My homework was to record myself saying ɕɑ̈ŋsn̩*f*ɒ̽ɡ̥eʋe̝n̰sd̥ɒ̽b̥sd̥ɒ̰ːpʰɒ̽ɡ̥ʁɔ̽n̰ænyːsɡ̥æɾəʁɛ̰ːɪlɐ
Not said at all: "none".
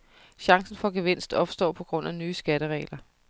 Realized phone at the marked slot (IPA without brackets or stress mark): f